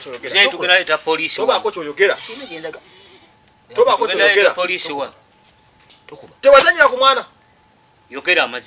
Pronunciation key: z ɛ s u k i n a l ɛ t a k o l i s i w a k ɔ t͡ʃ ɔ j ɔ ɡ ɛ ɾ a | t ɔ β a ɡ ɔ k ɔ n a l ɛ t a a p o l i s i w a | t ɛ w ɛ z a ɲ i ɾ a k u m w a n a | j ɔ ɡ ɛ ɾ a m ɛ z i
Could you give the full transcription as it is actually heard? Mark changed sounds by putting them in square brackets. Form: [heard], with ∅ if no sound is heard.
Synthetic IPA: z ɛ [t] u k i n a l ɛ t a [p] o l i s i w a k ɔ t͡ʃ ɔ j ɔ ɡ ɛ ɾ a | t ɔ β a [k] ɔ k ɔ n a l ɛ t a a p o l i s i w a | t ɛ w [a] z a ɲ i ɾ a k u m w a n a | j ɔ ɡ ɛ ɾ a m [a] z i